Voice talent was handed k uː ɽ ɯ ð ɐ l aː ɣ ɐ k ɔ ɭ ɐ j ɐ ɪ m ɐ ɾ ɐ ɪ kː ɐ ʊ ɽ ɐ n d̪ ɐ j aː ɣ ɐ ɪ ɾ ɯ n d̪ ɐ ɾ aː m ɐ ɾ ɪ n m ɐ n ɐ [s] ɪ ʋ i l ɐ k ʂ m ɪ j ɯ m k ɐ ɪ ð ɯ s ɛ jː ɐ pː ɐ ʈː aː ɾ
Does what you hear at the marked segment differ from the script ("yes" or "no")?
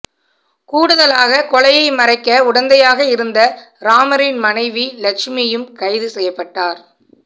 yes